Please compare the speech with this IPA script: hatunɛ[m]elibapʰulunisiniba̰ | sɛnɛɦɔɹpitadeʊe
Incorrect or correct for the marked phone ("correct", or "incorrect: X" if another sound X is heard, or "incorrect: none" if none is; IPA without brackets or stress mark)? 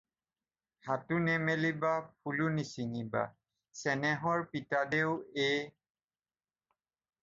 correct